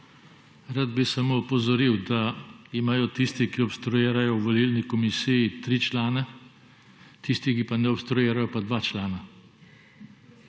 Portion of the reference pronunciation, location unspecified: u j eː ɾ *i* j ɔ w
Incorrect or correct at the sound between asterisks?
incorrect: a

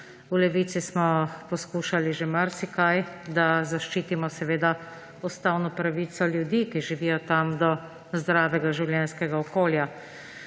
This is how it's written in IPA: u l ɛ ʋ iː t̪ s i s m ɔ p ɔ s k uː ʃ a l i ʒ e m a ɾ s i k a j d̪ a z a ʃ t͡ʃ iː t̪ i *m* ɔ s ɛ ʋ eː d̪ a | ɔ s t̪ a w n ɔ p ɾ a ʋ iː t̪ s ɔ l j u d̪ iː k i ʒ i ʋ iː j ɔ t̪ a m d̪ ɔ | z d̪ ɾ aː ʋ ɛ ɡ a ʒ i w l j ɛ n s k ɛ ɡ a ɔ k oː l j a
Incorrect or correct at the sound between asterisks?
correct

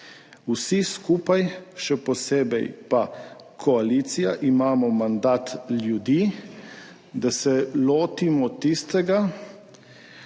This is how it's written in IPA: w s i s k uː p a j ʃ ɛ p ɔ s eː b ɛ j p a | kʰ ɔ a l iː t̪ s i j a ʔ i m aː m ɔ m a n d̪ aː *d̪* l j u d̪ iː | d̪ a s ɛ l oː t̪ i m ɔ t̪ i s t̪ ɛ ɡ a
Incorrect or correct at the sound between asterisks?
incorrect: t̪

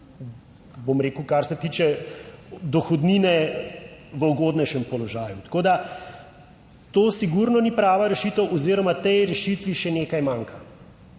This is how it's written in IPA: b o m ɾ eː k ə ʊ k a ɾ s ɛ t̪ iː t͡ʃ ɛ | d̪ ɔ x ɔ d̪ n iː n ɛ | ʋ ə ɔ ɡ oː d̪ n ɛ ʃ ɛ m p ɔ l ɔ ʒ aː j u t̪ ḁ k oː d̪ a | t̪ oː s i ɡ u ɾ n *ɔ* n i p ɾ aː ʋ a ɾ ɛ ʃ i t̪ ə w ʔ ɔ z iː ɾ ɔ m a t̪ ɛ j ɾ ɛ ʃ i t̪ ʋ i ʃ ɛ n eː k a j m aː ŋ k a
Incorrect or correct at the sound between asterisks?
correct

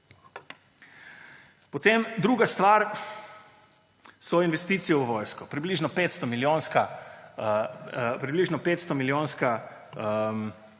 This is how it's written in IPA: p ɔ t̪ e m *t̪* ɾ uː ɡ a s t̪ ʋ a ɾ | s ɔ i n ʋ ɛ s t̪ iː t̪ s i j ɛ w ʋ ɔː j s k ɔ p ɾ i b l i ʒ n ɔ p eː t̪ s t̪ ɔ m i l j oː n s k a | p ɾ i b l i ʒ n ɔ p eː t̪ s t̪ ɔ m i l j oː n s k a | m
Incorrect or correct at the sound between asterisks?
incorrect: d̪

